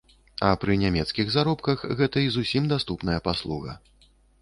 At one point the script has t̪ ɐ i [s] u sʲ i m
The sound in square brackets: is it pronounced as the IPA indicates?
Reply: no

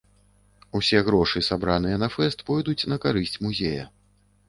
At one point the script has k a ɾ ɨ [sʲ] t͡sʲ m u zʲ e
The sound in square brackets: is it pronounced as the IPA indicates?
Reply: yes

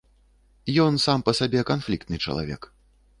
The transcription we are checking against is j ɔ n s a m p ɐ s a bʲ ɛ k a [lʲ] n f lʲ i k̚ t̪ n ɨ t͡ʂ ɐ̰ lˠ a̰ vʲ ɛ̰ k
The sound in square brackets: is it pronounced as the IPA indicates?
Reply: no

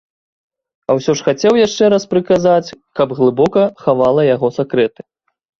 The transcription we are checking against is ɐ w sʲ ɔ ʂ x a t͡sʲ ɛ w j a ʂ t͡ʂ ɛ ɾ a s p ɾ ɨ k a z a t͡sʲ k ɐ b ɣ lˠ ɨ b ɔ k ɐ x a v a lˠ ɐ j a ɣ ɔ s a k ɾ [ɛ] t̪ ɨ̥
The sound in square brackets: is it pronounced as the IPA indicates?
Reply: yes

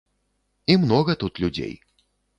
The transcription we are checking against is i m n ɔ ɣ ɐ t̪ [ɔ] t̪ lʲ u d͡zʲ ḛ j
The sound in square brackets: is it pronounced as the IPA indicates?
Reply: no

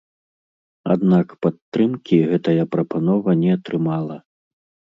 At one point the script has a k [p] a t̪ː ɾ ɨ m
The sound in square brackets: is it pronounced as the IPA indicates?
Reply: yes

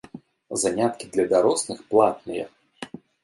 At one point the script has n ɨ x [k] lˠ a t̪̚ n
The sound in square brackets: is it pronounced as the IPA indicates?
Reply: no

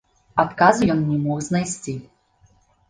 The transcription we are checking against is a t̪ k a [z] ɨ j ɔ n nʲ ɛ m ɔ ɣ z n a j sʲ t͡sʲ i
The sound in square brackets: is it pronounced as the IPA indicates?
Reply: yes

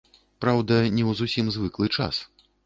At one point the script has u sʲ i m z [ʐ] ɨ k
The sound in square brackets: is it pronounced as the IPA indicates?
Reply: no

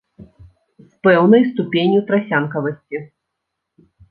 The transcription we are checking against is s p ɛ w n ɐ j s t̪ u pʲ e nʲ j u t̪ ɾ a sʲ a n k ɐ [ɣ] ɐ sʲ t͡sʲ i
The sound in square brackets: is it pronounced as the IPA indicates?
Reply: no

